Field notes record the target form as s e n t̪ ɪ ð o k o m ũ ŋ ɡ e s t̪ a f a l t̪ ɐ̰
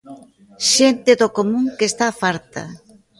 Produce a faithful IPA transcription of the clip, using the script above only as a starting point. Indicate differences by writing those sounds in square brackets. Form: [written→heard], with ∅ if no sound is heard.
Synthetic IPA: [s→ʃ] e n t̪ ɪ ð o k o m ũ ŋ [ɡ→k] e s t̪ a f a [l→ɾ] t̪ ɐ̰